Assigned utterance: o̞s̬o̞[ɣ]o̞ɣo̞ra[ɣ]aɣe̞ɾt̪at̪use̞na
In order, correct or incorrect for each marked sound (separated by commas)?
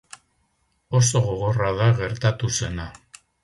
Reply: correct, incorrect